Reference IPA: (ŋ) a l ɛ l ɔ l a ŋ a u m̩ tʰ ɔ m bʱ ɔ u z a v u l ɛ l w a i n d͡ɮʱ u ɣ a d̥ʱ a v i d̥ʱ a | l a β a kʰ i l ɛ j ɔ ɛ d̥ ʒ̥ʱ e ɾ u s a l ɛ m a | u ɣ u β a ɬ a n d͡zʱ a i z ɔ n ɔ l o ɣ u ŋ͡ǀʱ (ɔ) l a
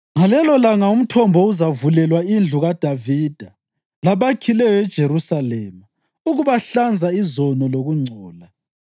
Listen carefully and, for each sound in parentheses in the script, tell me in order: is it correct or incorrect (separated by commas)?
correct, incorrect